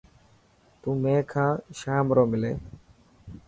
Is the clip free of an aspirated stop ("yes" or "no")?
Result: no